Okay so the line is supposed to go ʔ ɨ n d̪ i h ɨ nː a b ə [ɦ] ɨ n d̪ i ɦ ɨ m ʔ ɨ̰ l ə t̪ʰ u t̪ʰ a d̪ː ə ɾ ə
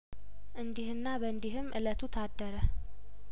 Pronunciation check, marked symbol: incorrect: none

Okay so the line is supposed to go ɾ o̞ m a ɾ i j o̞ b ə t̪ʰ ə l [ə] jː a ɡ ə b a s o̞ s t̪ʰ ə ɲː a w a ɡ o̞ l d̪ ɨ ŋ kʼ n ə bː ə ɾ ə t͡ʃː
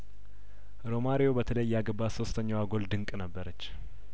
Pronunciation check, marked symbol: correct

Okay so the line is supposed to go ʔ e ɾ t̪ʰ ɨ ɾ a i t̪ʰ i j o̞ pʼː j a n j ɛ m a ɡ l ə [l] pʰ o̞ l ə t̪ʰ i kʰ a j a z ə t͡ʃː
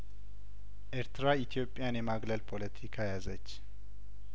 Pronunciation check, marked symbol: correct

